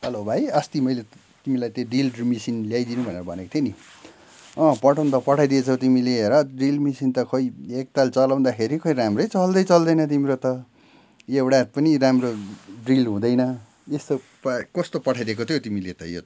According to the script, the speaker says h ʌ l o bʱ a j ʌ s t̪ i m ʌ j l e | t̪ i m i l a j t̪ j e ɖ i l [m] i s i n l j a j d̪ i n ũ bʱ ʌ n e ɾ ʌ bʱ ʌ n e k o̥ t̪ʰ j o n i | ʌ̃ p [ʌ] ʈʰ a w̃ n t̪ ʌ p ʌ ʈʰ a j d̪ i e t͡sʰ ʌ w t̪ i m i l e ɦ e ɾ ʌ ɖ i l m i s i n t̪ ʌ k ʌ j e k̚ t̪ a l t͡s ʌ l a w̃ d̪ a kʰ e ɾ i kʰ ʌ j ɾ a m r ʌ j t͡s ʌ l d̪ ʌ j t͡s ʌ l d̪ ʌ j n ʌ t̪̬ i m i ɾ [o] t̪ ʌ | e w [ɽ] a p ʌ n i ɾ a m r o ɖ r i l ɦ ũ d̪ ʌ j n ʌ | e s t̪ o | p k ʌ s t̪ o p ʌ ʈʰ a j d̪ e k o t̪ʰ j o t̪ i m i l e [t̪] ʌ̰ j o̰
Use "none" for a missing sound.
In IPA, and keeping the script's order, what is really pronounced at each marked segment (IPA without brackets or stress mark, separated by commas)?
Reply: m, ʌ, o, ɽ, t̪